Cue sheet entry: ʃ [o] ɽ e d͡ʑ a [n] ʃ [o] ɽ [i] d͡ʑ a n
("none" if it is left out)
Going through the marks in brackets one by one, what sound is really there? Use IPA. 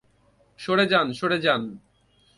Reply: o, n, o, e

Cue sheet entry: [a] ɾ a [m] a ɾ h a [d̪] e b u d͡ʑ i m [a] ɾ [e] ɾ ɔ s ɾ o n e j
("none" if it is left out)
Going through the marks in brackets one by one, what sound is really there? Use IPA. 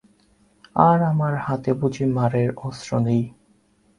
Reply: a, m, t̪, a, e

